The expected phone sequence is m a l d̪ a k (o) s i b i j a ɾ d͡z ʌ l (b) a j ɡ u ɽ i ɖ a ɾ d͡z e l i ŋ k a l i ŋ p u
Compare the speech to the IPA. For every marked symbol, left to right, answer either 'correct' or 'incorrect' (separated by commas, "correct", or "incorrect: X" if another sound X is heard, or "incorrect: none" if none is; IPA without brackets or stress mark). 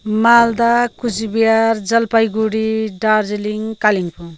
incorrect: u, incorrect: p